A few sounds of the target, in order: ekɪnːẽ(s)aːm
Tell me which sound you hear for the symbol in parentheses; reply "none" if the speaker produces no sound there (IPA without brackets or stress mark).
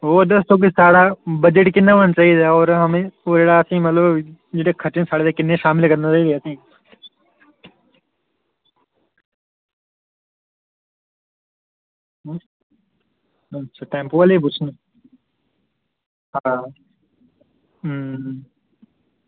ʃ